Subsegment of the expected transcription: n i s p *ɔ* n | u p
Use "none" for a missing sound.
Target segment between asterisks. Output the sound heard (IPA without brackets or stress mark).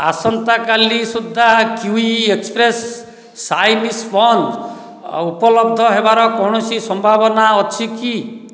ɔ